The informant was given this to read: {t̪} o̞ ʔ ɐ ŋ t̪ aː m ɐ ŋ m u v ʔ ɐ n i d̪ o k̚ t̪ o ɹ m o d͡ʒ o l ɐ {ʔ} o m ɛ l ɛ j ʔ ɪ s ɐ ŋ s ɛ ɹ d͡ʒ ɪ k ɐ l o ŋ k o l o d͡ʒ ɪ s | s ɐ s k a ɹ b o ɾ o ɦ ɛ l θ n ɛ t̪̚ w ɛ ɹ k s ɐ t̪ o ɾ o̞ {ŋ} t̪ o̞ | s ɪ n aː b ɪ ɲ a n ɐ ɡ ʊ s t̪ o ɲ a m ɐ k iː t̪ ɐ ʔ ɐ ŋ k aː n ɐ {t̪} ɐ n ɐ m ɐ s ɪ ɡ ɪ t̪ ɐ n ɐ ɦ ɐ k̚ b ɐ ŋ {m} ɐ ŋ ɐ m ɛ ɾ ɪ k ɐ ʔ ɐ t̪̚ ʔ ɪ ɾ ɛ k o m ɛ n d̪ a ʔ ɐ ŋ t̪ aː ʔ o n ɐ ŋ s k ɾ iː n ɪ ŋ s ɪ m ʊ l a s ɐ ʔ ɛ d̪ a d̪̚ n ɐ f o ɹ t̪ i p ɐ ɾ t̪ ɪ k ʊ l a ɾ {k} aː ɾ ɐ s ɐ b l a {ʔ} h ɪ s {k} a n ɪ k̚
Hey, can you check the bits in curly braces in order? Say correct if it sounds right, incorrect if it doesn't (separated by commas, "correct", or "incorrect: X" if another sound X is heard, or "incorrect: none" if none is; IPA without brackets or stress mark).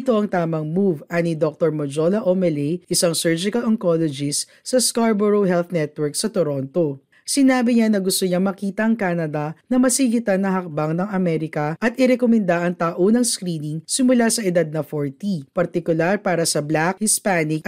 correct, correct, incorrect: n, incorrect: d̪, incorrect: n, incorrect: p, incorrect: k, incorrect: p